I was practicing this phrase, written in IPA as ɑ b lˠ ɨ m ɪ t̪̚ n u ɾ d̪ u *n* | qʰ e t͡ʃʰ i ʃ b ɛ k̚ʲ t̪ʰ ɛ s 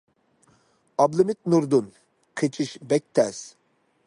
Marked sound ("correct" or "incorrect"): correct